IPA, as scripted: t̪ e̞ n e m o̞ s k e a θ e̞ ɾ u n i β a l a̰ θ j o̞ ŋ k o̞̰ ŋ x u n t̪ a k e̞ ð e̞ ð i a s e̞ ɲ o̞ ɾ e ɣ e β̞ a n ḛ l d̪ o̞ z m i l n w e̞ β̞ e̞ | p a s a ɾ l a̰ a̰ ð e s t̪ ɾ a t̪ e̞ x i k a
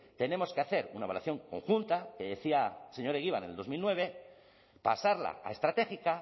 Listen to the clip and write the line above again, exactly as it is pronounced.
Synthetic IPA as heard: t̪ e̞ n e m o̞ s k e a θ e̞ ɾ u n a β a l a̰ θ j o̞ ŋ k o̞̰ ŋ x u n t̪ a k e̞ ð e̞ θ i a s e̞ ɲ o̞ ɾ e ɣ i β̞ a n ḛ l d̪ o̞ z m i l n w e̞ β̞ e̞ | p a s a ɾ l a̰ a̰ e s t̪ ɾ a t̪ e̞ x i k a